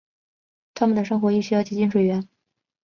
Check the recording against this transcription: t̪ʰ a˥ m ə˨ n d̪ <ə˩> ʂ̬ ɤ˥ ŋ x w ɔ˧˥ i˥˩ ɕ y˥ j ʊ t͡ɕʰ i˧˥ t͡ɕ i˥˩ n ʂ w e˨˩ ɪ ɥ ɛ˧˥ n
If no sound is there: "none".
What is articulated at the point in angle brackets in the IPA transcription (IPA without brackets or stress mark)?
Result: ə˩